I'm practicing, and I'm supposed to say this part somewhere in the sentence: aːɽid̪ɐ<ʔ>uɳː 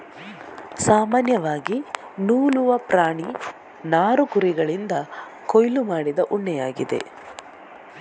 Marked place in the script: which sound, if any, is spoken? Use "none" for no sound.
ʔ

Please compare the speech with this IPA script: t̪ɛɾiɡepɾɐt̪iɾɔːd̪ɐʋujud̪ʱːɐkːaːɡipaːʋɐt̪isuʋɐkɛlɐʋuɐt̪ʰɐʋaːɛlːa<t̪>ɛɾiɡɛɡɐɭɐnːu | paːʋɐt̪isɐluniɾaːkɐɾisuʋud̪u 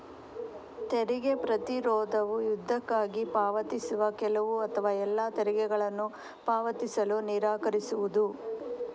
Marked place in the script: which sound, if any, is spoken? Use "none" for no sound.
t̪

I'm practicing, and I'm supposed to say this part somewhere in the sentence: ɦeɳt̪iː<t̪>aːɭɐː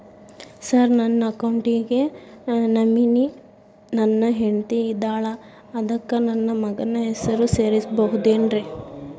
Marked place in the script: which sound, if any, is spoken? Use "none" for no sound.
d̪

